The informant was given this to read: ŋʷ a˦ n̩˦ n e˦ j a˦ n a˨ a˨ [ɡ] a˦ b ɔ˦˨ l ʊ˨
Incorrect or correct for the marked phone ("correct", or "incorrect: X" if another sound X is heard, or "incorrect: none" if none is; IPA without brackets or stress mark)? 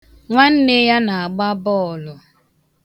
incorrect: ɡ͡b